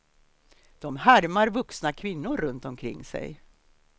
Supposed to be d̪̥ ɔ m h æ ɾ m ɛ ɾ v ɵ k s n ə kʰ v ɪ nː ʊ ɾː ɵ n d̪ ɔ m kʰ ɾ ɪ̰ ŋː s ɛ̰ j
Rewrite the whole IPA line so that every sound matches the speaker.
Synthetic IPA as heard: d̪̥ ɔ m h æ ɾ m a ɾ v ɵ k s n a kʰ v ɪ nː ʊ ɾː ɵ n t̪ ɔ m kʰ ɾ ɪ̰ ŋː s ɛ̰ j